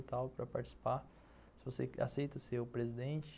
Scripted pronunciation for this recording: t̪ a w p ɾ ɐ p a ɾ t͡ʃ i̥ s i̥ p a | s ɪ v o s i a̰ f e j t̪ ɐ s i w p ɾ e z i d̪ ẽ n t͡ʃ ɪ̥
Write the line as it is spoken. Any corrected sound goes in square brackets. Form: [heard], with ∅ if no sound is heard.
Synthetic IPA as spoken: t̪ a w p ɾ ɐ p a ɾ t͡ʃ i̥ s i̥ p a | s ɪ v o s [e] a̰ [s] e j t̪ ɐ s [e] w p ɾ e z i d̪ ẽ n t͡ʃ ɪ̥